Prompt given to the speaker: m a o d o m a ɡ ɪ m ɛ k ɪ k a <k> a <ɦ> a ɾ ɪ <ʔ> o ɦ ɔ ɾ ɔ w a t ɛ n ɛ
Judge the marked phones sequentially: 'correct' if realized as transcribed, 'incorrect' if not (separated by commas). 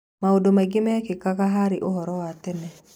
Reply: correct, correct, correct